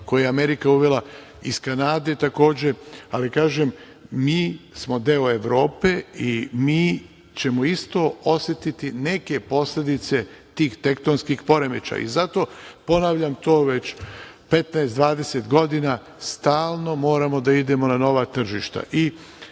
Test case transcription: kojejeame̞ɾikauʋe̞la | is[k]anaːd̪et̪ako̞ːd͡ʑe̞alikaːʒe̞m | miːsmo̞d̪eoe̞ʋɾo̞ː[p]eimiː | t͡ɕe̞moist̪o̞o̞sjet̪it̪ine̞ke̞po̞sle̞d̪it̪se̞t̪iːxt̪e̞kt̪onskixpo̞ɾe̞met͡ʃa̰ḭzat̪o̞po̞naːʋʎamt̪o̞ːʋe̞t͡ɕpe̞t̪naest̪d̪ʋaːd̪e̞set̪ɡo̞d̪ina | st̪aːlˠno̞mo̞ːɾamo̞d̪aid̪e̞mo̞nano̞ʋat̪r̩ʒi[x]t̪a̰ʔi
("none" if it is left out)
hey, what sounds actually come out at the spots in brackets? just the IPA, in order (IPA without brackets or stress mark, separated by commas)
k, p, ʃ